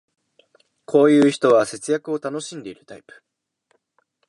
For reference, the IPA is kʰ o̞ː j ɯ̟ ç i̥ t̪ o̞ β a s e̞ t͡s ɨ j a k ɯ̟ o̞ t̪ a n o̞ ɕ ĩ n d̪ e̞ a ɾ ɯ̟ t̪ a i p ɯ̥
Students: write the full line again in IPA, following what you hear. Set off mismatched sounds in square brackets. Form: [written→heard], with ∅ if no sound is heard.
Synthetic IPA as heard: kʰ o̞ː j [ɯ̟→ɯ̟ː] ç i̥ t̪ o̞ β a s e̞ t͡s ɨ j a k ɯ̟ o̞ t̪ a n o̞ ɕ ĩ n d̪ e̞ [a→i] ɾ ɯ̟ t̪ a i p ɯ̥